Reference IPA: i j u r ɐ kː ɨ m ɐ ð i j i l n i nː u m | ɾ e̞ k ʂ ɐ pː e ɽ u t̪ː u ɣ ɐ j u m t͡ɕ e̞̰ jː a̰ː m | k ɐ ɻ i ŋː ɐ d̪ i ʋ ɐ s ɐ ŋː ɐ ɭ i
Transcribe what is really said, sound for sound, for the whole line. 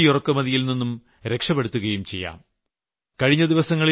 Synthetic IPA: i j u r ɐ kː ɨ m ɐ ð i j i l n i nː u m | ɾ e̞ k ʂ ɐ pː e ɽ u t̪ː u ɣ ɐ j u m t͡ɕ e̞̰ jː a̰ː m | k ɐ ɻ i ɲː ɐ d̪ i ʋ ɐ s ɐ ŋː ɐ ɭ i